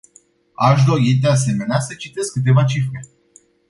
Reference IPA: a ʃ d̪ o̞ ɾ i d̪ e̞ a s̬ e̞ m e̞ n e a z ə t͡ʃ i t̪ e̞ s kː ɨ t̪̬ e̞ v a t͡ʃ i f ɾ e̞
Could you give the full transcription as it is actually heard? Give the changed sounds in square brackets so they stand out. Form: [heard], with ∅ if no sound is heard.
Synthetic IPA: a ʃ d̪ o̞ ɾ i d̪ e̞ a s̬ e̞ m e̞ n e a [s] ə t͡ʃ i t̪ e̞ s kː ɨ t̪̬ e̞ v a t͡ʃ i f ɾ e̞